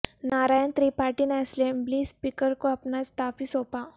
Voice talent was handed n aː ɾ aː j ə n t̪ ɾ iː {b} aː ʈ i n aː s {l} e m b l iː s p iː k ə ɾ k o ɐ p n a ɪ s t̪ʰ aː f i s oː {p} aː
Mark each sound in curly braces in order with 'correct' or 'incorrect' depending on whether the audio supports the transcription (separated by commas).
incorrect, correct, correct